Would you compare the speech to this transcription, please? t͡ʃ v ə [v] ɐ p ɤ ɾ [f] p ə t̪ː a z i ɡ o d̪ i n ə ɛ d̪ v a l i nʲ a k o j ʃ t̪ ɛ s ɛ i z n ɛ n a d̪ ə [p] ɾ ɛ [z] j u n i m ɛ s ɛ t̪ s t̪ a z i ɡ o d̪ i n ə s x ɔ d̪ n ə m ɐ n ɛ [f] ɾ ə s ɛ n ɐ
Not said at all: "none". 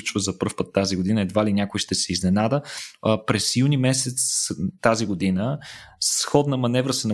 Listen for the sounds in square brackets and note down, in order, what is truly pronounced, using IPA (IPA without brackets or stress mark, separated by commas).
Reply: z, f, p, s, v